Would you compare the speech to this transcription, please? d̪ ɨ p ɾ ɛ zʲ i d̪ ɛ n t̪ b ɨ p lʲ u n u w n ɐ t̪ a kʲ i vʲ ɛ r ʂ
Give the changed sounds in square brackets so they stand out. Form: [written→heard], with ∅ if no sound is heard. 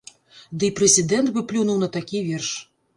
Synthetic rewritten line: d̪ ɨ p ɾ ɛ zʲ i d̪ ɛ n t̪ b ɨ p lʲ u n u w n ɐ t̪ a kʲ i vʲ ɛ r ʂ